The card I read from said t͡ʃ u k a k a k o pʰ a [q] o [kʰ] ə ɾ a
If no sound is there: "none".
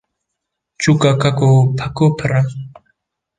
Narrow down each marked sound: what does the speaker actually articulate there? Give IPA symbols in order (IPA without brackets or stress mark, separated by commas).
k, pʰ